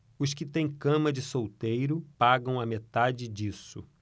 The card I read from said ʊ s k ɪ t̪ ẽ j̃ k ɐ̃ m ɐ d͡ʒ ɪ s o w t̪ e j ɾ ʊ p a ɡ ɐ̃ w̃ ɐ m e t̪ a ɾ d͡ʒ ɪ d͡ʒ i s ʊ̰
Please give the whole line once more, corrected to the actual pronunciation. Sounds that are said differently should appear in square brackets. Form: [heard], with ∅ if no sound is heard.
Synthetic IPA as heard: ʊ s k ɪ t̪ ẽ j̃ k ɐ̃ m ɐ d͡ʒ ɪ s o w t̪ e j ɾ ʊ p a ɡ ɐ̃ w̃ ɐ m e t̪ a [∅] d͡ʒ ɪ d͡ʒ i s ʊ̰